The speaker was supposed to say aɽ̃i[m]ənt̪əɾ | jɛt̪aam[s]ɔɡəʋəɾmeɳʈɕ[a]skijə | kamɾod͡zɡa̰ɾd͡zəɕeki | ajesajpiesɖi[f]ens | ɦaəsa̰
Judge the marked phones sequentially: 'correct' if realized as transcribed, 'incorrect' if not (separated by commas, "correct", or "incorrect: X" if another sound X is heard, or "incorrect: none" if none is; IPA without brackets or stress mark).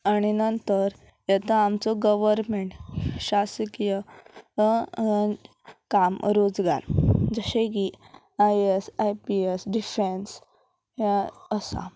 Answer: incorrect: n, incorrect: t͡s, correct, correct